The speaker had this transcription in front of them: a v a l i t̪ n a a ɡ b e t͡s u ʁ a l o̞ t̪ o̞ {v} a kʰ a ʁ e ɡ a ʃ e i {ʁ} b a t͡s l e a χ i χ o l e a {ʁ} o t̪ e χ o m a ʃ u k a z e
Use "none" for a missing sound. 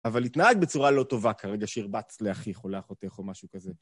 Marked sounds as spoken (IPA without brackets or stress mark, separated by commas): v, ʁ, χ